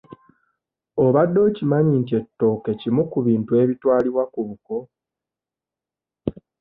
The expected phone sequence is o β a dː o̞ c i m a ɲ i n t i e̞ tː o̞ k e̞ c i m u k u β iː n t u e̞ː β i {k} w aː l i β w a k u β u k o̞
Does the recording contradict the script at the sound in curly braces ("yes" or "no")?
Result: yes